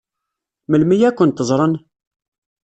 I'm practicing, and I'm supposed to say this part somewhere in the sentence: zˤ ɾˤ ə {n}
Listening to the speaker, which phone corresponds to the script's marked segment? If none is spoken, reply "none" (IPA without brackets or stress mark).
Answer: n